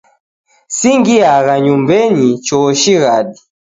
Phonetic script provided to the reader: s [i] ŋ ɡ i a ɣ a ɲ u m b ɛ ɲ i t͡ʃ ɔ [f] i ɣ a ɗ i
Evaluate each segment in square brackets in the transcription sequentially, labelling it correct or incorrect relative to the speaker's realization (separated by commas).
correct, incorrect